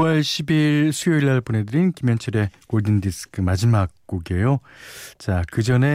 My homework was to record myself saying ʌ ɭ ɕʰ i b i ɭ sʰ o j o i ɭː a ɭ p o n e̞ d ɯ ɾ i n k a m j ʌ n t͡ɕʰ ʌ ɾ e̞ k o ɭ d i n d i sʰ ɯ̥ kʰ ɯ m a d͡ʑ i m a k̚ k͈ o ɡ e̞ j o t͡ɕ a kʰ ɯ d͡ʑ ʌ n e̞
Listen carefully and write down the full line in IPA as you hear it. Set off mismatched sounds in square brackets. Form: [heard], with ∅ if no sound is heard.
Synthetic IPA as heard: ʌ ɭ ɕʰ i b i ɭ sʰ [u] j o i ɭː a ɭ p o n e̞ d ɯ ɾ i n k [i] m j ʌ n t͡ɕʰ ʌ ɾ e̞ k o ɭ d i n d i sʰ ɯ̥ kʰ ɯ m a d͡ʑ i m a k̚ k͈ o ɡ e̞ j o t͡ɕ a [k] ɯ d͡ʑ ʌ n e̞